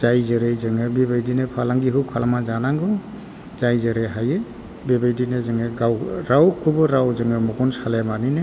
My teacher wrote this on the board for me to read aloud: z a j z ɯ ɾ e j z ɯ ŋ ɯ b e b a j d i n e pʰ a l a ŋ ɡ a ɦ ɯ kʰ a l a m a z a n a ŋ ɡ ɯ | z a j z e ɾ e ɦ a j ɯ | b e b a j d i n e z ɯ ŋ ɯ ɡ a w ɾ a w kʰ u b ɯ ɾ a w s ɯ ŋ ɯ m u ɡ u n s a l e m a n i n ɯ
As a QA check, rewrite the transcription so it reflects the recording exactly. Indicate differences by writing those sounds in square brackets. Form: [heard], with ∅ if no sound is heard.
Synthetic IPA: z a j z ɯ ɾ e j z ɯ ŋ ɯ b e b a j d i n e pʰ a l a ŋ ɡ [i] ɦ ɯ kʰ a l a m a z a n a ŋ ɡ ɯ | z a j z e ɾ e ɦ a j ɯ | b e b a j d i n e z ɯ ŋ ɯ ɡ a w ɾ a w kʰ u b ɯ ɾ a w [z] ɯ ŋ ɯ m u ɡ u n s a l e m a n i n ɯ